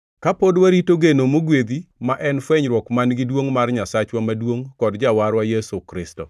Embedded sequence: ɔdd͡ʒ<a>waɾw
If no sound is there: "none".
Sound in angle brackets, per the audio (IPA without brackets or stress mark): a